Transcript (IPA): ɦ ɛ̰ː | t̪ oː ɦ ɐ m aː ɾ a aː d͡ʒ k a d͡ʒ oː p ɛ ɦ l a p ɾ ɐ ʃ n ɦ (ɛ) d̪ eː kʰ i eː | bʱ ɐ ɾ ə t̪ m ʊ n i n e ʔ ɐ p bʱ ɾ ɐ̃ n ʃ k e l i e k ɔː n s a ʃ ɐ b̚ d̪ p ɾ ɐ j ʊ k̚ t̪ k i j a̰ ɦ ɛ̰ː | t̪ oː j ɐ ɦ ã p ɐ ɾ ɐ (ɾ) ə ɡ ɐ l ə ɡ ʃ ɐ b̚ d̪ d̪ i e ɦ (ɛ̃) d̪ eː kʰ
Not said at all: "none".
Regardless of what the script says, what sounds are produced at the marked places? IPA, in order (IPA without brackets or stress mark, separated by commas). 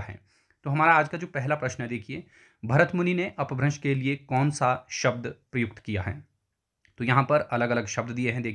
ɛ, l, ɛ̃